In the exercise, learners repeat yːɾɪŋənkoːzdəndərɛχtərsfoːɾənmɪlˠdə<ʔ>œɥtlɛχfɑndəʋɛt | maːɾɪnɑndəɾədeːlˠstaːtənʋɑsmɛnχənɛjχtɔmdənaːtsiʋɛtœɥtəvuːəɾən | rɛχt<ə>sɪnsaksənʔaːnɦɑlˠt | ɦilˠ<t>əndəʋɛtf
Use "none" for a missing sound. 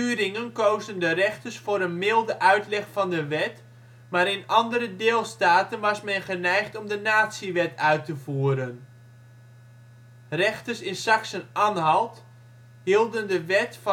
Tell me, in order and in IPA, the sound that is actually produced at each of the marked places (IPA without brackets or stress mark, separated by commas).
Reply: ʔ, ə, d